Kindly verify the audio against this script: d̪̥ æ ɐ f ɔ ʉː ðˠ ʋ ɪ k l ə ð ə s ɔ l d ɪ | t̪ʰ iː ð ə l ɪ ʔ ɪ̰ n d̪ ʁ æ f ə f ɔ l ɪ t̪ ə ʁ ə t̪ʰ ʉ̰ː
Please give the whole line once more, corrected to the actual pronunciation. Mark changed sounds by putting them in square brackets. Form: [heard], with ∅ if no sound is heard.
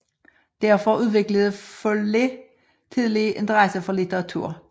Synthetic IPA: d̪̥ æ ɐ f ɔ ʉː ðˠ ʋ ɪ k l ə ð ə [f] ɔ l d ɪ | t̪ʰ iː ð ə l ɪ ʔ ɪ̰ n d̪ ʁ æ [s] ə f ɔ l ɪ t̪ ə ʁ [ɑ] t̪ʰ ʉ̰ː